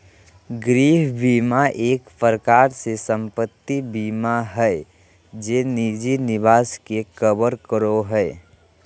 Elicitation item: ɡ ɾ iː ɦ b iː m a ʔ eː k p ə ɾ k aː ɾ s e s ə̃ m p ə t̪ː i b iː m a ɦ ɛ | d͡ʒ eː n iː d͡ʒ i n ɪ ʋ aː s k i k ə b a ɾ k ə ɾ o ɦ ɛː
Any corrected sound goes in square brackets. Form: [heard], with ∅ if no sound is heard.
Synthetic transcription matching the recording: ɡ ɾ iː ɦ b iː m a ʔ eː k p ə ɾ k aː ɾ s e s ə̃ m p ə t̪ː i b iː m a ɦ ɛ | d͡ʒ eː n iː d͡ʒ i n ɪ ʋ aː s k [e] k ə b [ə] ɾ k ə ɾ o ɦ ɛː